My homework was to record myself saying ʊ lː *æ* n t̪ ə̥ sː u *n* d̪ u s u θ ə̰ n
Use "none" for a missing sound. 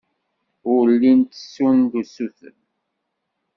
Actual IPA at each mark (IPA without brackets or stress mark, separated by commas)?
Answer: i, n